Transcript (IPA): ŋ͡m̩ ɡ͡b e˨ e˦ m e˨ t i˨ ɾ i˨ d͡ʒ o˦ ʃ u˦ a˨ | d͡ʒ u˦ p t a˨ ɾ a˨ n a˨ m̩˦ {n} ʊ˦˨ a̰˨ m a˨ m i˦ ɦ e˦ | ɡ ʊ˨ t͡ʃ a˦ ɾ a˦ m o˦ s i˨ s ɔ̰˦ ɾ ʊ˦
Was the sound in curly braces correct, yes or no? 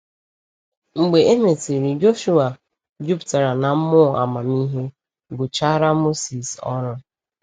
no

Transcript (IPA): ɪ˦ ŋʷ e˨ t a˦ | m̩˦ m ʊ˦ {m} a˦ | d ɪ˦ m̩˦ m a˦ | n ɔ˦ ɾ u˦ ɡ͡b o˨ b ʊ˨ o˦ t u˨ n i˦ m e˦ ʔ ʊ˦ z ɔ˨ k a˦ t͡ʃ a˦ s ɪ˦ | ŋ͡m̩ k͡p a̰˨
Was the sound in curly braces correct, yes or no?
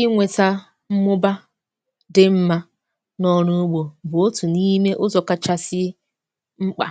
no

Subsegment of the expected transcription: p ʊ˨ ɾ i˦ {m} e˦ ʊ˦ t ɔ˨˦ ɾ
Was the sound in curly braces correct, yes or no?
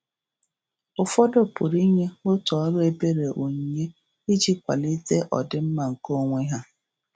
no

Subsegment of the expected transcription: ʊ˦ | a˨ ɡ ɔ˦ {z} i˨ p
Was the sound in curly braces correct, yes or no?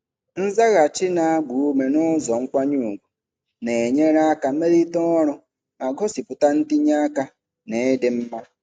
no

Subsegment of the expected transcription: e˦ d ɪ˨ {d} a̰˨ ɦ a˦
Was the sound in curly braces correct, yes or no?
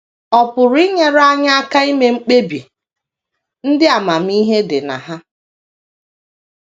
no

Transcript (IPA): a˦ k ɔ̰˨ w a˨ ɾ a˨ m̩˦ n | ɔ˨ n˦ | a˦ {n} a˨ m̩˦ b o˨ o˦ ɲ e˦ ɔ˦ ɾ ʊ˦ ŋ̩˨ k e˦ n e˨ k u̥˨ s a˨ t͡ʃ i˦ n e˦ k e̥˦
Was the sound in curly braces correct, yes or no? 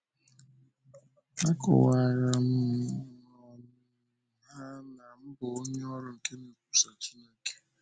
yes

